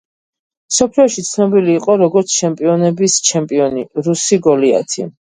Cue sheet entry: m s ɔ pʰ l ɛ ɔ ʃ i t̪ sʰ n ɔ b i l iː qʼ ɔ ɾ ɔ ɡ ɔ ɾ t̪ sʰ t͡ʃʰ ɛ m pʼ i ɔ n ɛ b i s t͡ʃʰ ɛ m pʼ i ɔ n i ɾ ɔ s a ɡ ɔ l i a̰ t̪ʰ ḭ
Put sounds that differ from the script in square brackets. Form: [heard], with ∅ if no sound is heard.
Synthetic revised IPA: m s ɔ pʰ l [i] ɔ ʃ i t̪ sʰ n ɔ b i l iː qʼ ɔ ɾ ɔ ɡ ɔ ɾ t̪ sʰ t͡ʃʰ ɛ m pʼ i ɔ n ɛ b i s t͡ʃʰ ɛ m pʼ i ɔ n i ɾ [u] s [i] ɡ ɔ l i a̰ t̪ʰ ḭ